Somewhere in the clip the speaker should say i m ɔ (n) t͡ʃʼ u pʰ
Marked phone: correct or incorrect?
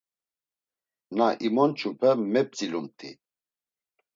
correct